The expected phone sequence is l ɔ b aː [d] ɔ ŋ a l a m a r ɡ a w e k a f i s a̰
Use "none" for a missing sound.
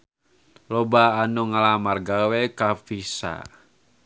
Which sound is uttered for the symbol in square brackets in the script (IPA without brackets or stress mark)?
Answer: n